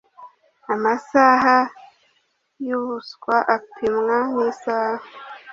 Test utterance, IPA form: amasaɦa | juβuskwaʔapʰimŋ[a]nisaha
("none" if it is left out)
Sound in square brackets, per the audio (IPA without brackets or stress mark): a